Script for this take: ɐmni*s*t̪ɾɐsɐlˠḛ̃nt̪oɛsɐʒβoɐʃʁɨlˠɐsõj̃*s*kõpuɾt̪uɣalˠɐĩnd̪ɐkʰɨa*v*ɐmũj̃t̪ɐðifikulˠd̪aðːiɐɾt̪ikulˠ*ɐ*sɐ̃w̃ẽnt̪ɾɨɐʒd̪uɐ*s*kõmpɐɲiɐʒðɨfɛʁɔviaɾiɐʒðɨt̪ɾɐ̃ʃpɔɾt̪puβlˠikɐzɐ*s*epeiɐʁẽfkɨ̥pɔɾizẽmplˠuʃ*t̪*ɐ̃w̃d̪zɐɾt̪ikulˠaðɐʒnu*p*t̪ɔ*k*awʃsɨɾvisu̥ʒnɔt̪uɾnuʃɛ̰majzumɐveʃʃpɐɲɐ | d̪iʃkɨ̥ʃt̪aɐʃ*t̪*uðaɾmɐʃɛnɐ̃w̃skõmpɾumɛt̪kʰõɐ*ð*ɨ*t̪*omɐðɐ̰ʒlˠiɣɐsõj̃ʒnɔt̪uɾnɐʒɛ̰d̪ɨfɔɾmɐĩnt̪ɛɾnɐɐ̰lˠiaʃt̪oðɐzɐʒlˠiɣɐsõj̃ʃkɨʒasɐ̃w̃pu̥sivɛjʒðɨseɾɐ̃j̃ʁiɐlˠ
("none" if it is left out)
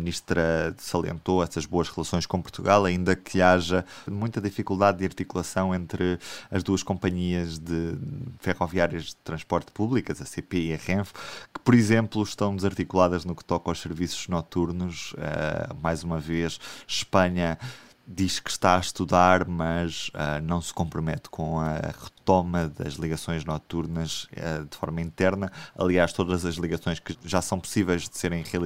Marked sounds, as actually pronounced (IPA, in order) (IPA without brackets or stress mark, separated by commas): ʃ, ʃ, ʒ, ɐ, ʃ, s, t̪, k, k, t̪, ʁ, t̪